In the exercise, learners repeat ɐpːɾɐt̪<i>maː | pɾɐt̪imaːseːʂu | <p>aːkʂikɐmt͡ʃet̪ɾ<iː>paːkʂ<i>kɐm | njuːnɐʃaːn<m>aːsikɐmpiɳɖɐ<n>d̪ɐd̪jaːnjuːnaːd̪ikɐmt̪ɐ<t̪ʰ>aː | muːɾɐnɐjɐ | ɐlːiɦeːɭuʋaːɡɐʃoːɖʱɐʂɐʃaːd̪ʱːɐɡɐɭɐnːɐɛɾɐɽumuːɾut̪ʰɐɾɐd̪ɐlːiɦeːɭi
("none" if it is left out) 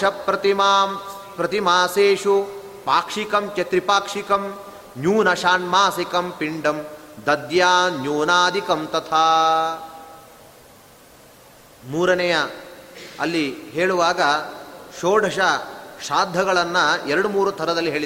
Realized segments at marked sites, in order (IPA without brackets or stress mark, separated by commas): i, p, i, i, m, m, t̪ʰ